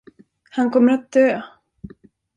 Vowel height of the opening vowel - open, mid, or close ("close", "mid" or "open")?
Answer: open